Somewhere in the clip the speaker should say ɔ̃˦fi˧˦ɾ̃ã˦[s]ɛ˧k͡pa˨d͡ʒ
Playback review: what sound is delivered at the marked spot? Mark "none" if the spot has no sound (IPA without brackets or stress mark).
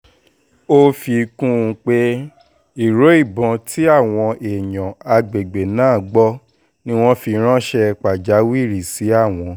ʃ